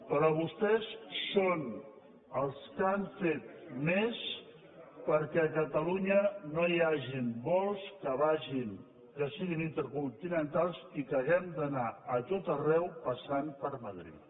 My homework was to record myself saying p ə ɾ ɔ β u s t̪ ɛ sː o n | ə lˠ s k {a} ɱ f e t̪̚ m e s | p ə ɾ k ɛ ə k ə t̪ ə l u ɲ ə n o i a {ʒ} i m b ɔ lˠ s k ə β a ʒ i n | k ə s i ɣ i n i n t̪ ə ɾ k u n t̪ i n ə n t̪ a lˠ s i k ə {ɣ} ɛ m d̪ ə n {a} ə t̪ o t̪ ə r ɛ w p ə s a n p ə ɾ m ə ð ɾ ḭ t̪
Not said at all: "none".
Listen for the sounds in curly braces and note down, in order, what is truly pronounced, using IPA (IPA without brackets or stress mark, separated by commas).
a, ʒ, ɣ, a